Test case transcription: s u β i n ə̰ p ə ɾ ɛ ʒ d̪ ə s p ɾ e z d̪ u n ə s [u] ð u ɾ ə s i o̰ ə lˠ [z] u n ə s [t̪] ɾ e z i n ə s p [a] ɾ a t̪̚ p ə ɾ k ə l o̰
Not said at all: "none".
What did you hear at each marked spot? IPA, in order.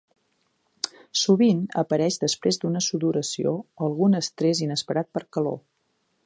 u, ɣ, t̪, ə

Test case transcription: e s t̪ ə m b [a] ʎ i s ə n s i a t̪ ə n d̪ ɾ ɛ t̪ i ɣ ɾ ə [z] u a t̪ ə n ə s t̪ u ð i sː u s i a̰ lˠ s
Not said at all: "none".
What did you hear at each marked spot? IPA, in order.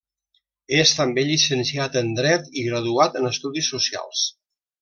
e, ð

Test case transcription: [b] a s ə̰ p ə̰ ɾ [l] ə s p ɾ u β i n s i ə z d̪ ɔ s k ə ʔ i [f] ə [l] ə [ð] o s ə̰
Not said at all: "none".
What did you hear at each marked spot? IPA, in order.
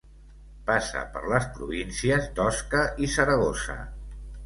p, l, s, ɾ, ɣ

